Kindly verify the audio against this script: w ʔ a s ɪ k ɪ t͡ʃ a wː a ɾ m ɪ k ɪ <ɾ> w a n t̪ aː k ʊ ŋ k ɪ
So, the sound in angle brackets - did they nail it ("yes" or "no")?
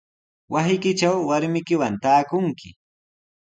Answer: no